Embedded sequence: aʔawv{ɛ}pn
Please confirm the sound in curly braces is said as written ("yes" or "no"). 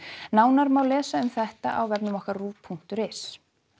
yes